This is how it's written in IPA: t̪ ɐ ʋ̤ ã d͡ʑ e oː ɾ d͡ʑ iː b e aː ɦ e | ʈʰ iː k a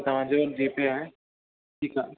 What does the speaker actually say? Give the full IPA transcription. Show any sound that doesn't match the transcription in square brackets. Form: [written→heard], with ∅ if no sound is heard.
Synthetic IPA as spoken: t̪ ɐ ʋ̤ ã d͡ʑ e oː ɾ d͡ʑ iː [b→p] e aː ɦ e | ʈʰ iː k a